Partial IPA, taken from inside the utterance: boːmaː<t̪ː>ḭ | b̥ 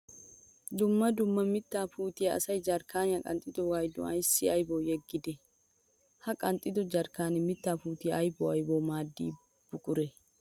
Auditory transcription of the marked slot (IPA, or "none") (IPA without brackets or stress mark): d̪ː